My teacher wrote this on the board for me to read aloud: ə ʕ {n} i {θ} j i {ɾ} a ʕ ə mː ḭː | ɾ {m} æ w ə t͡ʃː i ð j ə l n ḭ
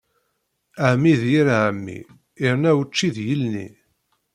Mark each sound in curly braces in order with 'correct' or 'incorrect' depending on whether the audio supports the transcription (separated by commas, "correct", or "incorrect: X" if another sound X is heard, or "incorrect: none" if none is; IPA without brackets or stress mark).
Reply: incorrect: m, incorrect: ð, correct, incorrect: n